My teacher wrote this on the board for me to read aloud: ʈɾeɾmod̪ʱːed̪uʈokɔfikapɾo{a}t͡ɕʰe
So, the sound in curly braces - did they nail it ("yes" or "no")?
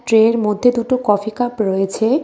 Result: no